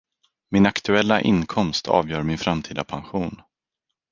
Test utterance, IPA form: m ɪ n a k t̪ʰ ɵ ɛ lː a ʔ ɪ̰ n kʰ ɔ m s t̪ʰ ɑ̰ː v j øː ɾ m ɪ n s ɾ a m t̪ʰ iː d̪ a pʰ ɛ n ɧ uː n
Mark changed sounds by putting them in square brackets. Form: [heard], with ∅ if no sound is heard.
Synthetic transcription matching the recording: m ɪ n a k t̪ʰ ɵ ɛ lː a ʔ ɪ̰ n kʰ ɔ m s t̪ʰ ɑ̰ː v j [œː] ɾ m ɪ n [f] ɾ a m t̪ʰ iː d̪ a pʰ [a] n ɧ uː n